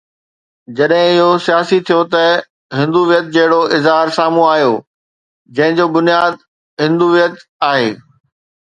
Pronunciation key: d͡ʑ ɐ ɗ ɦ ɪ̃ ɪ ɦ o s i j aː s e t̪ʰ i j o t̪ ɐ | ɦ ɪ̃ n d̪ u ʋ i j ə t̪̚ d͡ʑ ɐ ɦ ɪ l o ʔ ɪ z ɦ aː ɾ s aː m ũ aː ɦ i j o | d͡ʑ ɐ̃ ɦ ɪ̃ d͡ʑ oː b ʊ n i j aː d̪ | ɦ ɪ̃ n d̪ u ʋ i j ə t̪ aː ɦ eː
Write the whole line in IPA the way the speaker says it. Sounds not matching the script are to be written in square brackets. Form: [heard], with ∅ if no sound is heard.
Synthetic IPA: d͡ʑ ɐ ɗ ɦ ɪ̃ ɪ ɦ o s i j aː s [i] t̪ʰ i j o t̪ ɐ | ɦ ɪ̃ n d̪ u ʋ i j ə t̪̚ d͡ʑ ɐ ɦ ɪ [ɽ] o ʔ ɪ z ɦ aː ɾ s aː m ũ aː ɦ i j o | d͡ʑ ɐ̃ ɦ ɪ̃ d͡ʑ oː b ʊ n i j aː d̪ | ɦ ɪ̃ n d̪ u ʋ i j ə t̪ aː ɦ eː

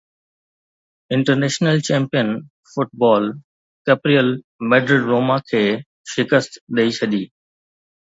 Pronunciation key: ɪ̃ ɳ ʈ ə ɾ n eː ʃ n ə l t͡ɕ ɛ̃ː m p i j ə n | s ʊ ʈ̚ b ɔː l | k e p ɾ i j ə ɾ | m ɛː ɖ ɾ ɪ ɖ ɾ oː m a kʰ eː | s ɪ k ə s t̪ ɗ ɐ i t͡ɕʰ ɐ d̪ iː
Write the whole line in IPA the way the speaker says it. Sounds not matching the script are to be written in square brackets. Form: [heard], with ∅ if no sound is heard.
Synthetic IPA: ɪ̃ ɳ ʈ ə ɾ n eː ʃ n ə l t͡ɕ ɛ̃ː m p i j ə n | [f] ʊ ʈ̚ b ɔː l | k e p ɾ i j ə [l] | m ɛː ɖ ɾ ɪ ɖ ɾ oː m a kʰ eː | [ʃ] ɪ k ə s t̪ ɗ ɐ i t͡ɕʰ ɐ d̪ iː

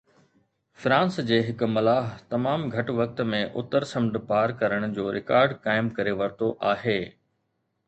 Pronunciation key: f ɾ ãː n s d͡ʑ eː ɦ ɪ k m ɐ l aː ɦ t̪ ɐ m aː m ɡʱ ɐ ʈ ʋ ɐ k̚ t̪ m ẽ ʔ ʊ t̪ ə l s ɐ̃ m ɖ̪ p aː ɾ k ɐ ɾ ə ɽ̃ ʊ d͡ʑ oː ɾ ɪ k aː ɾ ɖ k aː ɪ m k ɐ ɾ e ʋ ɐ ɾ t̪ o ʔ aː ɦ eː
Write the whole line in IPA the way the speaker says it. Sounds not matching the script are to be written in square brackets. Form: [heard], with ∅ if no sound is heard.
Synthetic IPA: f ɾ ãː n s d͡ʑ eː ɦ ɪ k m ɐ l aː ɦ t̪ ɐ m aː m ɡʱ ɐ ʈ ʋ ɐ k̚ t̪ m ẽ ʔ ʊ t̪ ə [ɾ] s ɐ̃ m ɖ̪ p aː ɾ k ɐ ɾ ə ɽ̃ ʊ d͡ʑ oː ɾ ɪ k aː ɾ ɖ k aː ɪ m k ɐ ɾ e ʋ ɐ ɾ t̪ o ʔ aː ɦ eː

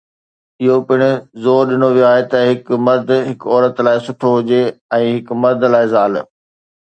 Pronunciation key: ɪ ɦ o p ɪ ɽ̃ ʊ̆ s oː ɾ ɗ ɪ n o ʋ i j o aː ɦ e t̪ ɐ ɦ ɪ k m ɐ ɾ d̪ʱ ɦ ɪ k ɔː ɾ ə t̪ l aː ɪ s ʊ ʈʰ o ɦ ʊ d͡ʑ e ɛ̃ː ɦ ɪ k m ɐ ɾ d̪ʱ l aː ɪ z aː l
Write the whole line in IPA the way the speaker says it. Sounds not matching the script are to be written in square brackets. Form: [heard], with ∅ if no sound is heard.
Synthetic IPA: ɪ ɦ o p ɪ ɽ̃ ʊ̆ [z] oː ɾ ɗ ɪ n o ʋ i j o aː ɦ e t̪ ɐ ɦ ɪ k m ɐ ɾ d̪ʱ ɦ ɪ k ɔː ɾ ə t̪ l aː ɪ s ʊ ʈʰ o ɦ ʊ d͡ʑ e ɛ̃ː ɦ ɪ k m ɐ ɾ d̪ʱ l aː ɪ z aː l

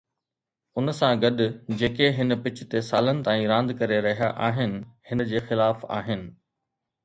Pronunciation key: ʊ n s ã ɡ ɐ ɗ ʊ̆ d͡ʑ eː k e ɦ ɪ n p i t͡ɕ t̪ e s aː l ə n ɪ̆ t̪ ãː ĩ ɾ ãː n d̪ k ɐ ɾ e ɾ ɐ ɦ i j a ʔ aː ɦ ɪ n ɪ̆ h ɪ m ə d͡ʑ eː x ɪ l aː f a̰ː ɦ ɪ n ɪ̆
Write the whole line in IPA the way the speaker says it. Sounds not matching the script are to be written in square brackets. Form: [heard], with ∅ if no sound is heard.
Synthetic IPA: ʊ n s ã ɡ ɐ ɗ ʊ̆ d͡ʑ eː k e ɦ ɪ n p [ɪ] t͡ɕ t̪ e s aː l ə n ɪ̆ t̪ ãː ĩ ɾ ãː n d̪ k ɐ ɾ e ɾ ɐ ɦ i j a ʔ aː ɦ ɪ n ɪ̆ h ɪ [n] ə d͡ʑ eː x ɪ l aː f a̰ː ɦ ɪ n ɪ̆

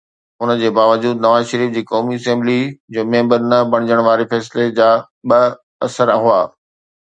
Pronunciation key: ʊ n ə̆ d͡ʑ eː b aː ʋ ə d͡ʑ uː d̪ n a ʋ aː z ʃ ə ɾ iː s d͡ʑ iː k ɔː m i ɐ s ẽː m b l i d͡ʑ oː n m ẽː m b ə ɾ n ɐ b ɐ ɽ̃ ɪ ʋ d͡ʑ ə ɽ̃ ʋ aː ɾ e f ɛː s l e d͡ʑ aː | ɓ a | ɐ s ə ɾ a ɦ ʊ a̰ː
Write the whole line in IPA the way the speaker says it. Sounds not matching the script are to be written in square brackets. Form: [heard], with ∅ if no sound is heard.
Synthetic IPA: ʊ n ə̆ d͡ʑ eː b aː ʋ ə d͡ʑ uː d̪ n [ɐ] ʋ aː z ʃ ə ɾ iː [f] d͡ʑ iː k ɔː m i ɐ s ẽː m b l i d͡ʑ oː [∅] m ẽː m b ə ɾ n ɐ b ɐ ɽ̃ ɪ [∅] d͡ʑ ə ɽ̃ ʋ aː ɾ e f ɛː s l e d͡ʑ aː | ɓ [ɐ] | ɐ s ə ɾ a ɦ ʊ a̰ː

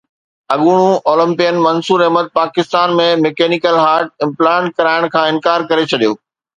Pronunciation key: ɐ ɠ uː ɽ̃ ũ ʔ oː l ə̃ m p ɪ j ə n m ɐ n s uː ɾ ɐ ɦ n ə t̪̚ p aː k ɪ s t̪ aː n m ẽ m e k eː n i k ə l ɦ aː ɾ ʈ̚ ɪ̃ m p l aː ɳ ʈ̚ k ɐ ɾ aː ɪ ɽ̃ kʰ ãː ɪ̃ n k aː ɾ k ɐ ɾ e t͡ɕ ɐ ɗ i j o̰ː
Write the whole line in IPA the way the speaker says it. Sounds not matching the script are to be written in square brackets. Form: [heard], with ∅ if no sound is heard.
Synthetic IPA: ɐ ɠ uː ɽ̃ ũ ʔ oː l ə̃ m p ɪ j ə n m ɐ n s uː ɾ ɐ ɦ [m] ə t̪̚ p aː k ɪ s t̪ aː n m ẽ m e k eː n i k ə l ɦ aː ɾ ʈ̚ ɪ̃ m p l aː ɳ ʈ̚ k ɐ ɾ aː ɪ ɽ̃ kʰ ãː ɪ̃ n k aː ɾ k ɐ ɾ e [t͡ɕʰ] ɐ ɗ i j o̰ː

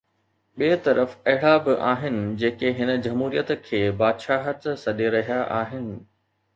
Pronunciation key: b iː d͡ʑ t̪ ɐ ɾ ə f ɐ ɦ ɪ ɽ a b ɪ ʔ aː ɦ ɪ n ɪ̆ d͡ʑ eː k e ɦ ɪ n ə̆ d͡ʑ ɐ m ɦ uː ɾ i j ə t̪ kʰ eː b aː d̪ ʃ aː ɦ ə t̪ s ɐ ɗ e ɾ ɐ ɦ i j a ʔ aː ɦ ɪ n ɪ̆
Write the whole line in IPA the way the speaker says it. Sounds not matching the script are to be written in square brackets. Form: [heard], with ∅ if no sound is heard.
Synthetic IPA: [ɓ] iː [∅] t̪ ɐ ɾ ə f ɐ ɦ ɪ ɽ a b ɪ ʔ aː ɦ ɪ n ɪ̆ d͡ʑ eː k e ɦ ɪ n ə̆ d͡ʑ ɐ m ɦ uː ɾ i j ə t̪ kʰ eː b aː d̪ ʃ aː ɦ ə t̪ s ɐ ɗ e ɾ ɐ ɦ i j a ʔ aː ɦ ɪ n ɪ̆

